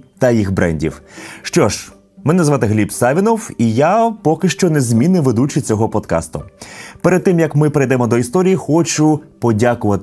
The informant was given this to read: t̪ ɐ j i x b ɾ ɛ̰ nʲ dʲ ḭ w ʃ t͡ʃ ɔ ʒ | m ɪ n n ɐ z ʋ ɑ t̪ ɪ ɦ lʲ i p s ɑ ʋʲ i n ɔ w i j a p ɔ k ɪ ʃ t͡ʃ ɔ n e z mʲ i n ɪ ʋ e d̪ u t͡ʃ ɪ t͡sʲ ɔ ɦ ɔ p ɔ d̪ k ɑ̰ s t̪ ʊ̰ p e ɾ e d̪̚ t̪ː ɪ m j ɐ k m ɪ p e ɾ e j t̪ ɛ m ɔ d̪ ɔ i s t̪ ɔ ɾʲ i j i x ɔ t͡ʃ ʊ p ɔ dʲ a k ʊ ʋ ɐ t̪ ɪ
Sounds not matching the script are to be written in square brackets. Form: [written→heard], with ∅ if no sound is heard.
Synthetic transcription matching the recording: t̪ ɐ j i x b ɾ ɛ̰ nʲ dʲ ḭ w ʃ t͡ʃ ɔ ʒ | m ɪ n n ɐ z ʋ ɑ t̪ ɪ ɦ lʲ i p s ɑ ʋʲ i n ɔ w i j a p ɔ k ɪ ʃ t͡ʃ ɔ n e z mʲ i n ɪ ʋ e d̪ u t͡ʃ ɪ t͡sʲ ɔ ɦ ɔ p ɔ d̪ k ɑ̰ s t̪ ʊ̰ p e ɾ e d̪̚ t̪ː ɪ m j ɐ k m ɪ p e ɾ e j [t̪→d̪] ɛ m ɔ d̪ ɔ i s t̪ ɔ ɾʲ i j i x ɔ t͡ʃ ʊ p ɔ dʲ a k ʊ ʋ ɐ t̪ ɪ